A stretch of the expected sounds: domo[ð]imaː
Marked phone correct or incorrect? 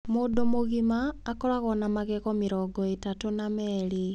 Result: incorrect